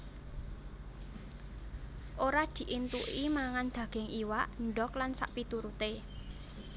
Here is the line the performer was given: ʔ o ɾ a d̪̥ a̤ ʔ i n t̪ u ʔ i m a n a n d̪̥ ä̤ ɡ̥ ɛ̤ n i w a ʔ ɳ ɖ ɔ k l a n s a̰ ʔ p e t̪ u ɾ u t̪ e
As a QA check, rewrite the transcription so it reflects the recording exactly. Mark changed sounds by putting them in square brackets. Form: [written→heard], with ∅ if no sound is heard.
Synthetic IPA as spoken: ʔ o ɾ a d̪̥ [a̤→i̤] ʔ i n t̪ u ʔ i m a [n→ŋ] a n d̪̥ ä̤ ɡ̥ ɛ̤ [n→ŋ] i w a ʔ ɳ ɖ ɔ k l a n s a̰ ʔ p [e→i] t̪ u ɾ u t̪ e